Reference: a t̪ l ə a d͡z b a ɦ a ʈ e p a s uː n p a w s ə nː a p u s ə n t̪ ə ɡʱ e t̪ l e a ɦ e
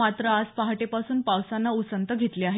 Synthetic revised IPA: a t̪ ɾ ə a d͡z p a ɦ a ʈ e p a s uː n p a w s a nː a u s ə n t̪ ə ɡʱ e t̪ l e a ɦ e